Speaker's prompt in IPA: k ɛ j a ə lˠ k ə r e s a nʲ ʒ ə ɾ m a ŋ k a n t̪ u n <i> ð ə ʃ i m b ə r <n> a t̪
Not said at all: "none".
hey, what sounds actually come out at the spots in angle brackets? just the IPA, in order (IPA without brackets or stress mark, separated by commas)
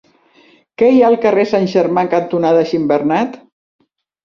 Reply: a, n